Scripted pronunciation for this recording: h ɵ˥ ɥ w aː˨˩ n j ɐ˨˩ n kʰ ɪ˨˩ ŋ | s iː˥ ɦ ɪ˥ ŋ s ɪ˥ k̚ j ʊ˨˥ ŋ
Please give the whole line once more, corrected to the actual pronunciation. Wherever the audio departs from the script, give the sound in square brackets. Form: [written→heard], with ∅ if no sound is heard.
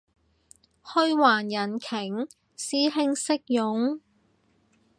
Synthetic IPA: h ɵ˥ ɥ w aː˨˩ n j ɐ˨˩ n kʰ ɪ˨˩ ŋ | s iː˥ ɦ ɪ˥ ŋ s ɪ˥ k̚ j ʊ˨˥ ŋ

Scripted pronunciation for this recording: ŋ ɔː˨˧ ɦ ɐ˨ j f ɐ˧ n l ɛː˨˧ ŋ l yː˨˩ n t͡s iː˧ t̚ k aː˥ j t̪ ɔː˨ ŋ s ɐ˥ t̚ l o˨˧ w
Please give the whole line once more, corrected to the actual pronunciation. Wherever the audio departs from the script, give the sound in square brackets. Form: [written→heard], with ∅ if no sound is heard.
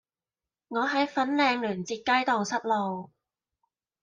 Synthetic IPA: ŋ ɔː˨˧ ɦ [ɐ˨→ɐ˨˥] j f [ɐ˧→ɐ˨˥] n l ɛː˨˧ ŋ l yː˨˩ n t͡s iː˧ t̚ k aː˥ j t̪ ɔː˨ ŋ s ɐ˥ t̚ l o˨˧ w

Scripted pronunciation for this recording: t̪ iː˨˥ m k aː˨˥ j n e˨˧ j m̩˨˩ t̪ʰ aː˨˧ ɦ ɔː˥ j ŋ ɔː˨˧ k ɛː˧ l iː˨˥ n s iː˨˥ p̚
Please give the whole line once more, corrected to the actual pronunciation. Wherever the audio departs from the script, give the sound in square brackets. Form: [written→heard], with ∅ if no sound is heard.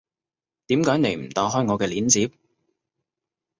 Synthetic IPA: t̪ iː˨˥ m k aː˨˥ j n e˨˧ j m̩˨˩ [t̪ʰ→t̪] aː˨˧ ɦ ɔː˥ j ŋ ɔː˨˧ k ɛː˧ l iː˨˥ n [s→t͡s] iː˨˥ p̚

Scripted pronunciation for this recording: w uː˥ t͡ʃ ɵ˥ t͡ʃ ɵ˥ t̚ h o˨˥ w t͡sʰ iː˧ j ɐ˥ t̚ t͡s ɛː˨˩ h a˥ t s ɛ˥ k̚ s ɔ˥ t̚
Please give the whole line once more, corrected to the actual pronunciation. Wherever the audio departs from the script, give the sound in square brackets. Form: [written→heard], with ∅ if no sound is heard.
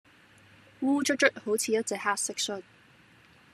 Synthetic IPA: w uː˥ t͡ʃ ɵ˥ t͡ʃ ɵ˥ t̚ h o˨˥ w t͡sʰ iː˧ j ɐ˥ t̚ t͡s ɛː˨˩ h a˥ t s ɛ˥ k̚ s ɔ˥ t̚

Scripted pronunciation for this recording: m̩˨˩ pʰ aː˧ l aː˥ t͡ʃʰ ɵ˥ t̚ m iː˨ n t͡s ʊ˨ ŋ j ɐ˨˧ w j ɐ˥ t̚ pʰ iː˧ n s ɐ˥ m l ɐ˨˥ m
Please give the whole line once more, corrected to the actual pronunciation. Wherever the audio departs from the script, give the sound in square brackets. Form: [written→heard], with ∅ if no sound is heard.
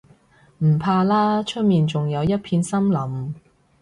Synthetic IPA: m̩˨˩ pʰ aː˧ l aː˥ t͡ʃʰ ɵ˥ t̚ m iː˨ n t͡s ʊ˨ ŋ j ɐ˨˧ w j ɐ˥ t̚ pʰ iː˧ n s ɐ˥ m l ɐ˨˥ m

